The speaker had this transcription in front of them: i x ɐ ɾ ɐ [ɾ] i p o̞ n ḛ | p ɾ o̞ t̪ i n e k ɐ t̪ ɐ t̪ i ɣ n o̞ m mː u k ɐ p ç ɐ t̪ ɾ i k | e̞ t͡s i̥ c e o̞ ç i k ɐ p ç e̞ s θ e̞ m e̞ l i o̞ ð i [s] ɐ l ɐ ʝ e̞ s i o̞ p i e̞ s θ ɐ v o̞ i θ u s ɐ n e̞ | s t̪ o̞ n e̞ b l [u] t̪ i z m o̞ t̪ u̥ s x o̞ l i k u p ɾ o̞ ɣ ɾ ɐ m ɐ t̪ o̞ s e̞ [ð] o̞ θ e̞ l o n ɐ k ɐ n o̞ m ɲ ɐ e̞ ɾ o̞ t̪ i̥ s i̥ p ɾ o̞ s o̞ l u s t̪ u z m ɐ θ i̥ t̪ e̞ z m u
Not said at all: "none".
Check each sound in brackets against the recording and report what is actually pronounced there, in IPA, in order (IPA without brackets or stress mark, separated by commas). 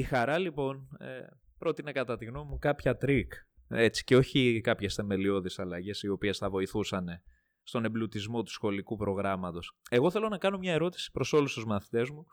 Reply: l, s, u, ɣ